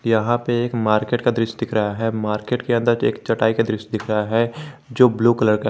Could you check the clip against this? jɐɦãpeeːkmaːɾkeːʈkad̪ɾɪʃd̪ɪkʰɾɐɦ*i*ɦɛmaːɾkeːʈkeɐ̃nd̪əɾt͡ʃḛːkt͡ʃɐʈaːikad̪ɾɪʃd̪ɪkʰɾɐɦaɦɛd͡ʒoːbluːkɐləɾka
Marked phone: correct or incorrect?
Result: incorrect